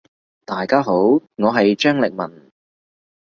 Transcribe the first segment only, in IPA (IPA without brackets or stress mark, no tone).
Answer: t̪